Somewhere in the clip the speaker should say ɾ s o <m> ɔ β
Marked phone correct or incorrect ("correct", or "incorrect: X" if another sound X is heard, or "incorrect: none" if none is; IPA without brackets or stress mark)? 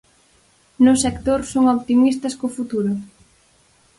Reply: incorrect: ŋ